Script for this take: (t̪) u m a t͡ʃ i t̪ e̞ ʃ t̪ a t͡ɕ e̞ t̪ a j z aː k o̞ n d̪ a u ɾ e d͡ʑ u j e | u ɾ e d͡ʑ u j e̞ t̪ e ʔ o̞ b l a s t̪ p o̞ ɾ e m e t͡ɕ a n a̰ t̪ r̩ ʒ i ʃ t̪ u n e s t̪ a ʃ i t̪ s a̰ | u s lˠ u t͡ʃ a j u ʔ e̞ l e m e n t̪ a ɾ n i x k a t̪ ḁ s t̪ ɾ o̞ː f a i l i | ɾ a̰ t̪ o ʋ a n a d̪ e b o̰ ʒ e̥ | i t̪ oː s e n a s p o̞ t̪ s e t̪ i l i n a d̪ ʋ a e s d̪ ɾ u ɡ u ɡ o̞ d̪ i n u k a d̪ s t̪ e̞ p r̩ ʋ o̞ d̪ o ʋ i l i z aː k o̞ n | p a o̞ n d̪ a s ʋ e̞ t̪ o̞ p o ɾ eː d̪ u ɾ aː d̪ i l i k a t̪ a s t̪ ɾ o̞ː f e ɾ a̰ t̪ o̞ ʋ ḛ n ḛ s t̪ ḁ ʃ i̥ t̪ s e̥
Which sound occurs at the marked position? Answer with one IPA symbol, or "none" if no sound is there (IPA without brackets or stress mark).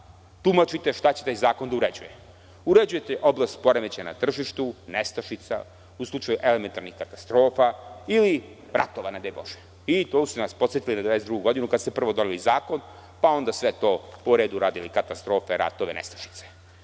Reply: t̪